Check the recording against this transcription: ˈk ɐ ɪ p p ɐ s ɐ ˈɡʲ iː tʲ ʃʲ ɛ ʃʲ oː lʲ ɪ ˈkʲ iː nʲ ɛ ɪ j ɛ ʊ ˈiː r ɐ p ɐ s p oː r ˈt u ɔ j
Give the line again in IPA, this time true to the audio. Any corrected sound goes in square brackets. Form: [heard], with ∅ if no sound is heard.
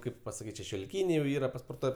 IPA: ˈk ɐ ɪ p p ɐ s ɐ [ˈkʲ] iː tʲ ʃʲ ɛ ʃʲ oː lʲ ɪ ˈkʲ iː nʲ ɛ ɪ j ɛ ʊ ˈiː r ɐ p ɐ s p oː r ˈt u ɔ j